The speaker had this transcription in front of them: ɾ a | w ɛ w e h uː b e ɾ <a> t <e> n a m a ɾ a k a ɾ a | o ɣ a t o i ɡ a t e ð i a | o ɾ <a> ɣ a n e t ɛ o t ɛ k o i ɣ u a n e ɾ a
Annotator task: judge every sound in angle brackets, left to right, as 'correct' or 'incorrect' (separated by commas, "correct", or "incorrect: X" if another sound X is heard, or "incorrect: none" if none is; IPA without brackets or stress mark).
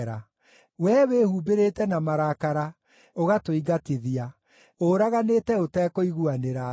incorrect: e, incorrect: ɛ, correct